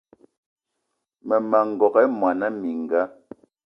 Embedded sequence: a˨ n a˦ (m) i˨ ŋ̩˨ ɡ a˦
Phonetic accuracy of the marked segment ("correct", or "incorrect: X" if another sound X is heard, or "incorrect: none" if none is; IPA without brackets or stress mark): correct